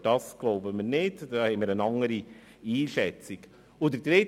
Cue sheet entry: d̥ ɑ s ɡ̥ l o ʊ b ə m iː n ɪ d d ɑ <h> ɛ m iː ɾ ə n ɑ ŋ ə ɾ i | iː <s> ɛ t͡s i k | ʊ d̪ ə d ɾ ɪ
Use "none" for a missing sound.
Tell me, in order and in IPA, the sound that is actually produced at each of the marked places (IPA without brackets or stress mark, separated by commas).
h, ʃ